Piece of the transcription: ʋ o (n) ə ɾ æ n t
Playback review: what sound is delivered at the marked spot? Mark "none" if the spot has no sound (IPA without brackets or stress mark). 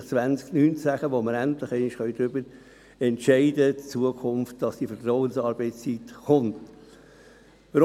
m